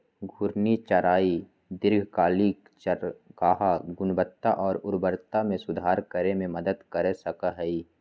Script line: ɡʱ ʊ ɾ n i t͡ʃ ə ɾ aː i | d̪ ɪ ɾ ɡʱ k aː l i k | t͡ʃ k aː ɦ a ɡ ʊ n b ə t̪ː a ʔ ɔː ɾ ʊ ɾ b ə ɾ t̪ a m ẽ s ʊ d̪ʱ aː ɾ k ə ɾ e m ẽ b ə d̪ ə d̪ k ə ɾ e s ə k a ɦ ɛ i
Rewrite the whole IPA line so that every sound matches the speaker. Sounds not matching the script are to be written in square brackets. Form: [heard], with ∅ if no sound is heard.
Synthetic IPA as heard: ɡʱ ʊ ɾ n i t͡ʃ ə ɾ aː i | d̪ ɪ ɾ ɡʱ k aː l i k | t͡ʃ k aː ɦ a ɡ ʊ n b ə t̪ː a ʔ ɔː ɾ ʊ ɾ b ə ɾ t̪ a m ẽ s ʊ d̪ʱ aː ɾ k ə ɾ e m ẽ [m] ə d̪ ə d̪ k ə ɾ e s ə k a ɦ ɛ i